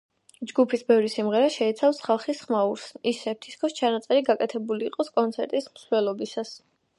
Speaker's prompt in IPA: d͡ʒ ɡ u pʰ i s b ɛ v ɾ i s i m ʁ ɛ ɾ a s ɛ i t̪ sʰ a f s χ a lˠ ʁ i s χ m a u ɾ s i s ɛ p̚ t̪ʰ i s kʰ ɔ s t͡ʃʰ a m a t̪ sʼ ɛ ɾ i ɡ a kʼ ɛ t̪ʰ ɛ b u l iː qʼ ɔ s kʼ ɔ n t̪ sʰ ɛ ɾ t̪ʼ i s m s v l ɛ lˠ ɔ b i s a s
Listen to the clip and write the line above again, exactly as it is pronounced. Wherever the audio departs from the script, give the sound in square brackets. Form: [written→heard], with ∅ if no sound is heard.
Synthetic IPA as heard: d͡ʒ ɡ u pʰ i s b ɛ v ɾ i s i m ʁ ɛ ɾ a [s→ʃ] ɛ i t̪ sʰ a f s χ a lˠ [ʁ→χ] i s χ m a u ɾ s i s ɛ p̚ t̪ʰ i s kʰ ɔ s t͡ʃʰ a [m→n] a t̪ sʼ ɛ ɾ i ɡ a kʼ ɛ t̪ʰ ɛ b u l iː qʼ ɔ s kʼ ɔ n t̪ sʰ ɛ ɾ t̪ʼ i s m s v l ɛ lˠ ɔ b i s a s